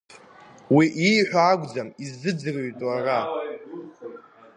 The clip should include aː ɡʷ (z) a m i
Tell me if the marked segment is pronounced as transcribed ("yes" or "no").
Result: no